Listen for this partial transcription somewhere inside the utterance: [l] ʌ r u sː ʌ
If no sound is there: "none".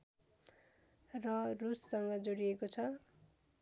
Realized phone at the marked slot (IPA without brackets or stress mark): r